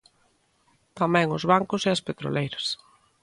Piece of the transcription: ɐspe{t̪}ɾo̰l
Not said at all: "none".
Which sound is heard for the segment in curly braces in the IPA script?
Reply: t̪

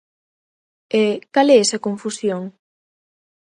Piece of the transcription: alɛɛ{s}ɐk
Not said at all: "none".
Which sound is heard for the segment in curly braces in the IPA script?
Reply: s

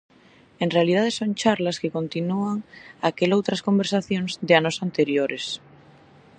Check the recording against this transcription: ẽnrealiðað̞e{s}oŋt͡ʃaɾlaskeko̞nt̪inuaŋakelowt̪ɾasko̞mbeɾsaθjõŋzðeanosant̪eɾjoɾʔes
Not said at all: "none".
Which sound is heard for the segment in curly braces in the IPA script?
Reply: s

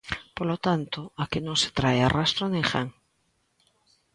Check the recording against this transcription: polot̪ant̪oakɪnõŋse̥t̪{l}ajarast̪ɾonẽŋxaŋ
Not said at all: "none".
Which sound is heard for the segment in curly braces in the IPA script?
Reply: ɾ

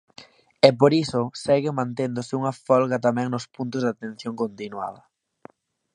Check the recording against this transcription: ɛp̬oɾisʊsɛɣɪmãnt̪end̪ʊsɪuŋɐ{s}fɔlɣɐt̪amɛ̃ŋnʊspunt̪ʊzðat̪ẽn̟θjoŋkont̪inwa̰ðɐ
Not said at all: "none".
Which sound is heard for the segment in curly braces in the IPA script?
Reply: none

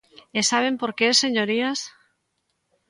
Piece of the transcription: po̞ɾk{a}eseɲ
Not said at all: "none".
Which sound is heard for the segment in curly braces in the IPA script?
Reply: e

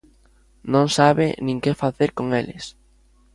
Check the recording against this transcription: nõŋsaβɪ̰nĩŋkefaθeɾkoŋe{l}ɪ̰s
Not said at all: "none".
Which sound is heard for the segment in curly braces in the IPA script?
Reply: l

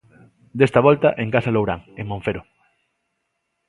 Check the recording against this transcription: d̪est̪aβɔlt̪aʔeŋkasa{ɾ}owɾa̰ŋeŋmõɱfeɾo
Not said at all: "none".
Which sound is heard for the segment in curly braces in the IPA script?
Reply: l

